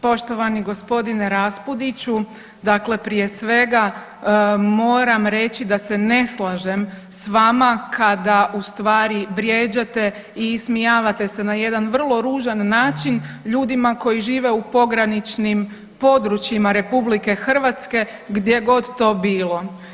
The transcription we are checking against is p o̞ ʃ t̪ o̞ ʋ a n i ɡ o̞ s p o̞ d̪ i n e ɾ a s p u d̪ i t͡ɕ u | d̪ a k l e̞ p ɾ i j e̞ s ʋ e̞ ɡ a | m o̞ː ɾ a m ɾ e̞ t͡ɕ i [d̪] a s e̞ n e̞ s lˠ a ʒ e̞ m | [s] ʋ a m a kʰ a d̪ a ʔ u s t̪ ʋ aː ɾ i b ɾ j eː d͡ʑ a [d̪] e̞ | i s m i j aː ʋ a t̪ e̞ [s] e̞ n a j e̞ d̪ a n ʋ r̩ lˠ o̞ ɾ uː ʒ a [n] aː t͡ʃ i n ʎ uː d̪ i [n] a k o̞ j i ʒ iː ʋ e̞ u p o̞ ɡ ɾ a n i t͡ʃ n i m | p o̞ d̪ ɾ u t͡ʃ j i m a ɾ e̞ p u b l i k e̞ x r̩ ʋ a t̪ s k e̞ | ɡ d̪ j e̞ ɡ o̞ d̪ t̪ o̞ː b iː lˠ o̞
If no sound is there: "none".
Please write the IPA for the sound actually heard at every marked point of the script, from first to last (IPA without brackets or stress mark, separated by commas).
d̪, s, t̪, s, nː, m